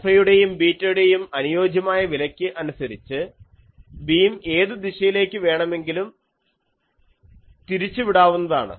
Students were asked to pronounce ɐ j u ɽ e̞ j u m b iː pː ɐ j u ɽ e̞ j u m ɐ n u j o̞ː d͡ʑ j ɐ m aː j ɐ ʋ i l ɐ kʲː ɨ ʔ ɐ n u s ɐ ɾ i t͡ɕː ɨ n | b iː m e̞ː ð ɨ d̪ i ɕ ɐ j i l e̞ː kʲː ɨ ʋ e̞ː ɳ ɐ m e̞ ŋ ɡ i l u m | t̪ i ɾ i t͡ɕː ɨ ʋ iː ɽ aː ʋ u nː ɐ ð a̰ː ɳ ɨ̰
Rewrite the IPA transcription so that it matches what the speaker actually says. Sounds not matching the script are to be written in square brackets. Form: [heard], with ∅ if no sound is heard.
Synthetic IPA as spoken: ɐ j u ɽ e̞ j u m b iː [tː] ɐ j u ɽ e̞ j u m ɐ n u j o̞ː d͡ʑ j ɐ m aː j ɐ ʋ i l ɐ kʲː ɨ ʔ ɐ n u s ɐ ɾ i t͡ɕː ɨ [∅] | b iː m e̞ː ð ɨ d̪ i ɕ ɐ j i l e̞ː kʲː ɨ ʋ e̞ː ɳ ɐ m e̞ ŋ ɡ i l u m | t̪ i ɾ i t͡ɕː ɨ ʋ [i] ɽ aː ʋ u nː ɐ ð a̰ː ɳ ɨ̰